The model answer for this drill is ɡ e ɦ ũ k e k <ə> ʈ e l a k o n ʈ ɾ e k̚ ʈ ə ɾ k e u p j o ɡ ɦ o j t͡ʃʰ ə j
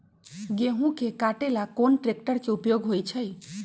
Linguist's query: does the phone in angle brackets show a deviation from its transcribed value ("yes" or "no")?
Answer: yes